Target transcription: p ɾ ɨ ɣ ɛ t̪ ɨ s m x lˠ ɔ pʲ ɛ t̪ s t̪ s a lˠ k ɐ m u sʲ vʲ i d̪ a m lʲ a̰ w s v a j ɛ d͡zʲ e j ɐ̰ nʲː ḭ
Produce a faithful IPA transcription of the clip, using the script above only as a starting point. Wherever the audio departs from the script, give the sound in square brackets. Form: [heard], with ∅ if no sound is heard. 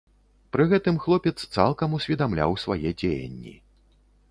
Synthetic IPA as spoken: p ɾ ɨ ɣ ɛ t̪ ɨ [∅] m x lˠ ɔ pʲ ɛ t̪ s t̪ s a lˠ k ɐ m u sʲ vʲ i d̪ a m lʲ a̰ w s v a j ɛ d͡zʲ e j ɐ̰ nʲː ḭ